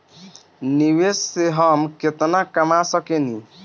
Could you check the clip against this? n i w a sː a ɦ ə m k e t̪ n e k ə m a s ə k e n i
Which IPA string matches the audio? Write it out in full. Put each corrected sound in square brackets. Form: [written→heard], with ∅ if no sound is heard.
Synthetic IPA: n i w [a→e] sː [a→e] ɦ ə m k e t̪ n [e→a] k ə m a s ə k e n i